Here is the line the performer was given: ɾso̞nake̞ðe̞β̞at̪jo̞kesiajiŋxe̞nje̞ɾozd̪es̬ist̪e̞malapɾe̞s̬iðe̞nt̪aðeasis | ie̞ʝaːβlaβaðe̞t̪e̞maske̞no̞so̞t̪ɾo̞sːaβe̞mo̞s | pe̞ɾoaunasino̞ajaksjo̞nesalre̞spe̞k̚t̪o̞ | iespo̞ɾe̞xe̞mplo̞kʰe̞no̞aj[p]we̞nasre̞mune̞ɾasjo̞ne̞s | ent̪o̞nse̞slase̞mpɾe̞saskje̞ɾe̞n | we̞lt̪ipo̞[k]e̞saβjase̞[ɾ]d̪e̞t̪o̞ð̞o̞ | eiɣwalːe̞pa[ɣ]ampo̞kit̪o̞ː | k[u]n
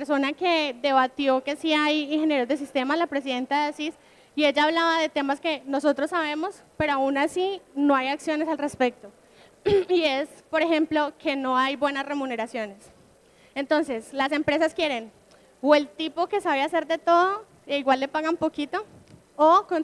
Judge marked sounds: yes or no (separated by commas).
no, yes, yes, yes, no